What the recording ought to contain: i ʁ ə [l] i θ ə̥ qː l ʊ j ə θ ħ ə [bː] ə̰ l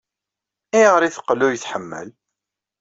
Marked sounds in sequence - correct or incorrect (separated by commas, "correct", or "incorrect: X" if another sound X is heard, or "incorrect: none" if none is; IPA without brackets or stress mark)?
incorrect: ɾ, incorrect: mː